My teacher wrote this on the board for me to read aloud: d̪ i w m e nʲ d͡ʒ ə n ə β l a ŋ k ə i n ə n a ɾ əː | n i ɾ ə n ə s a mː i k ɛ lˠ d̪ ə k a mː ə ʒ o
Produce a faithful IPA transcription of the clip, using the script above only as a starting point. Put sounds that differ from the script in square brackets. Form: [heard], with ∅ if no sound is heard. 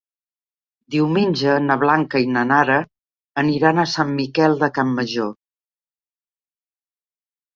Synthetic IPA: d̪ i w m e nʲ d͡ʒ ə n ə β l a ŋ k ə i n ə n a ɾ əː | n i ɾ [a] n ə s a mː i k ɛ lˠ d̪ ə k a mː ə ʒ o